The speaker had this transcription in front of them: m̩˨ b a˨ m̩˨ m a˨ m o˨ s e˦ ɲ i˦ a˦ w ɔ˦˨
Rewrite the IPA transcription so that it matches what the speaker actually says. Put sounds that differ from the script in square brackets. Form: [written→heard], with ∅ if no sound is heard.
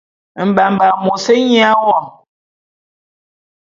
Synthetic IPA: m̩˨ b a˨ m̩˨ [m→b] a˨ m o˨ s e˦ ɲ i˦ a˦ w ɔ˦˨

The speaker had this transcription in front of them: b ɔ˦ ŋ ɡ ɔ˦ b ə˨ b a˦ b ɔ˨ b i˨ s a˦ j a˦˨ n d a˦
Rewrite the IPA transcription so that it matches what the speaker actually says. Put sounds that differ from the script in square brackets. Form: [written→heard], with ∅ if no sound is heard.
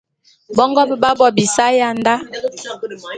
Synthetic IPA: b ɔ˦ ŋ ɡ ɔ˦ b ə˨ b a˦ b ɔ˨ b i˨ s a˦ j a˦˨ n d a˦

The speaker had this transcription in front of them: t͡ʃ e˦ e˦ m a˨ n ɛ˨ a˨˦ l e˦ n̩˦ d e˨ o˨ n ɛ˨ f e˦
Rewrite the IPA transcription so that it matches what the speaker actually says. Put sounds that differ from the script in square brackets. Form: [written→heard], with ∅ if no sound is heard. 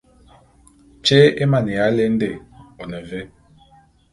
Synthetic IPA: t͡ʃ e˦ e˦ m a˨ n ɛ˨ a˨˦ l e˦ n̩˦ d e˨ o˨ n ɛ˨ [f→v] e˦

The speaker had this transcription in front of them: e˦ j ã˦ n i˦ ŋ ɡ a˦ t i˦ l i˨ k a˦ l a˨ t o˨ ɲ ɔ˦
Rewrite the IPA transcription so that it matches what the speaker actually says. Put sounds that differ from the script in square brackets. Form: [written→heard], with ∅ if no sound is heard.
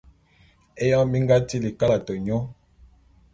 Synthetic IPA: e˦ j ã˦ [n→m] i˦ ŋ ɡ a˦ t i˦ l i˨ k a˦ l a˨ t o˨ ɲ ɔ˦

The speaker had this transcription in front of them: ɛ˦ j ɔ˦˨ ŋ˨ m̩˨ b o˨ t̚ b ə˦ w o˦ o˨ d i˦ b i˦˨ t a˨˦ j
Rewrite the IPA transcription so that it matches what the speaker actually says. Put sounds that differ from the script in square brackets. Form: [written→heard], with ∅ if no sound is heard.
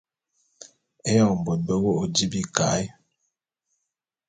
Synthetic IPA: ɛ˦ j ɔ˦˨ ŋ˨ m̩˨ b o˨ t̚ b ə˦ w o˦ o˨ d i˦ b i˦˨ [t→k] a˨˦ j

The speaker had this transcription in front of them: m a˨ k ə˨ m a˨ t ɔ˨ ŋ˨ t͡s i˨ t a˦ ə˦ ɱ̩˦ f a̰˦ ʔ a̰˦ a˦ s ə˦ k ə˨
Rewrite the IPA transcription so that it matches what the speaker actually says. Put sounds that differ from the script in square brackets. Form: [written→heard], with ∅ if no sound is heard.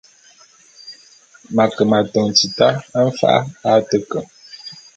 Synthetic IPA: m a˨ k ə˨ m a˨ t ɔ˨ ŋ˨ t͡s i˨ t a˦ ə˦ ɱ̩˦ f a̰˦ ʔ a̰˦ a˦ [s→t] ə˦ k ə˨

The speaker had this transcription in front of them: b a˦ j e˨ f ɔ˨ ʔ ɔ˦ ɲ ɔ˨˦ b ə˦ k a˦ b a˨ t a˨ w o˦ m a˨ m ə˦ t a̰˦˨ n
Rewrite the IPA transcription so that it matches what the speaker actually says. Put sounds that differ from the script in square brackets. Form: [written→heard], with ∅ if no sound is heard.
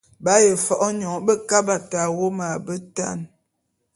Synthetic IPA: b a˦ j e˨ f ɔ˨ ʔ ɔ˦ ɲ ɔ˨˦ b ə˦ k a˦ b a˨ t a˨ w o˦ m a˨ [m→b] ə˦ t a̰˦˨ n

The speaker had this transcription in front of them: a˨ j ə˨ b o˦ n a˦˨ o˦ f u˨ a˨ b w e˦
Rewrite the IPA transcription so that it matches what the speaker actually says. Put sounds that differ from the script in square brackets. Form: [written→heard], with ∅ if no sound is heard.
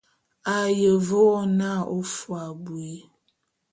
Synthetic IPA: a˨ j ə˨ [b→v] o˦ n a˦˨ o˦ f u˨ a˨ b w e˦

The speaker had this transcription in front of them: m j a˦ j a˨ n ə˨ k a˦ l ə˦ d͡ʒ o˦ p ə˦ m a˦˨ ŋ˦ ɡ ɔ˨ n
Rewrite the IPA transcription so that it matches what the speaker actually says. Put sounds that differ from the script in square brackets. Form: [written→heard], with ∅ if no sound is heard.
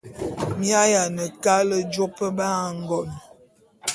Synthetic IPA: m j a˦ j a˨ n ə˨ k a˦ l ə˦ d͡ʒ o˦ p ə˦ [m→b] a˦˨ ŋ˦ ɡ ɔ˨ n

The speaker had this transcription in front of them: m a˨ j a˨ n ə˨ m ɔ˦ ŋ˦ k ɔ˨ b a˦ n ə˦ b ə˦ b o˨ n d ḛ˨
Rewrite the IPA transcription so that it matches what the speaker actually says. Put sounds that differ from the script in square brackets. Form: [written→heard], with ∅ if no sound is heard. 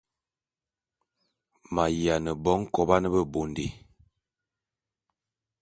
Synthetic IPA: m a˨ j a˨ n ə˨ [m→b] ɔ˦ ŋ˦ k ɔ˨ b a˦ n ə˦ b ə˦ b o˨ n d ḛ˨

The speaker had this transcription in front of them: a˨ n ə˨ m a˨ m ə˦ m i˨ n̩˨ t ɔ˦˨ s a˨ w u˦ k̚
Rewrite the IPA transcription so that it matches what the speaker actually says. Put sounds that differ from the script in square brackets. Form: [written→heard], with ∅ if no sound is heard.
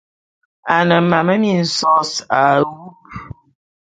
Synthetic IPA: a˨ n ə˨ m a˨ m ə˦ m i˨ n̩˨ [t→s] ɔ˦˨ s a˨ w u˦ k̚

